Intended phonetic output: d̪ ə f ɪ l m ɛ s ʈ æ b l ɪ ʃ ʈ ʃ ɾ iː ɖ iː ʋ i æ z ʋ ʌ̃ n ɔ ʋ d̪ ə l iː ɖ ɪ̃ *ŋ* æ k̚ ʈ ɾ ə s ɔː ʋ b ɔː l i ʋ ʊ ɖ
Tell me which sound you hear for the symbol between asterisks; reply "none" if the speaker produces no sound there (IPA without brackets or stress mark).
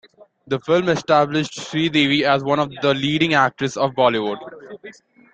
ŋ